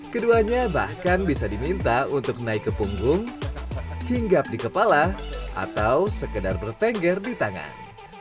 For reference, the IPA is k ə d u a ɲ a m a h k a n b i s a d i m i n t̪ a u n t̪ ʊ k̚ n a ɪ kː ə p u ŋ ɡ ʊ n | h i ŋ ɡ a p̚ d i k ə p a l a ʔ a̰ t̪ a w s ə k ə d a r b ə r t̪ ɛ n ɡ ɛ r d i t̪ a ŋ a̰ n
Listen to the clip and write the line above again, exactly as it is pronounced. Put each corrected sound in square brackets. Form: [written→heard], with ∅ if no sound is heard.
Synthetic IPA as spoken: k ə d u a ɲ a [m→b] a h k a n b i s a d i m i n t̪ a u n t̪ ʊ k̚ n a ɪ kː ə p u ŋ ɡ ʊ [n→ŋ] | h i ŋ ɡ a p̚ d i k ə p a l a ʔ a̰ t̪ a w s ə k ə d a r b ə r t̪ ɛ [n→ŋ] ɡ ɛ r d i t̪ a ŋ a̰ n